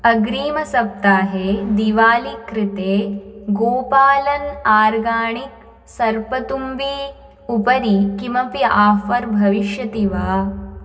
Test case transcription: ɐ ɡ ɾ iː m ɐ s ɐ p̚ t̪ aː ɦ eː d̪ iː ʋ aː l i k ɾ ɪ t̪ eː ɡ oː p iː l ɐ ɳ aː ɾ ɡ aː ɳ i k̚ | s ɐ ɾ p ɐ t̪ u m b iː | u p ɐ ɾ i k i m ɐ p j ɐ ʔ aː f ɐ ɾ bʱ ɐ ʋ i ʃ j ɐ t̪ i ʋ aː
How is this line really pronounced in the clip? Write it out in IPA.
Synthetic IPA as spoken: ɐ ɡ ɾ iː m ɐ s ɐ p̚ t̪ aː ɦ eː d̪ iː ʋ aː l i k ɾ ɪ t̪ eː ɡ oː p aː l ɐ n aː ɾ ɡ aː ɳ i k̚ | s ɐ ɾ p ɐ t̪ u m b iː | u p ɐ ɾ i k i m ɐ p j ɐ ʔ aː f ɐ ɾ bʱ ɐ ʋ i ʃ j ɐ t̪ i ʋ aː